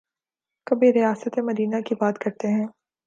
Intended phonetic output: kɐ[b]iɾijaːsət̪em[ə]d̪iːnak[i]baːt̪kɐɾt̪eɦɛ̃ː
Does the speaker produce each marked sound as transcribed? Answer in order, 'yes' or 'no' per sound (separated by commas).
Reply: yes, no, yes